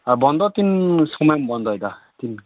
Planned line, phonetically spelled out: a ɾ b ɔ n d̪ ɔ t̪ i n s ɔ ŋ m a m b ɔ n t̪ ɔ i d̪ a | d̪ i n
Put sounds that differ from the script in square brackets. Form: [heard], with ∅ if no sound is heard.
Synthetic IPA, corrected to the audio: a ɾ b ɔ n d̪ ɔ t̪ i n s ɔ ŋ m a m b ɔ n [d̪] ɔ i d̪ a | [t̪] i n